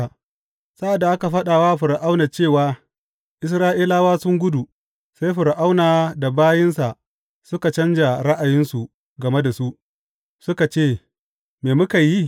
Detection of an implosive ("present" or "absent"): present